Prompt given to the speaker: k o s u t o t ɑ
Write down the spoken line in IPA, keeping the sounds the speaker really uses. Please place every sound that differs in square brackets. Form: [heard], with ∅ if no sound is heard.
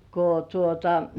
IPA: k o [t] u [∅] o t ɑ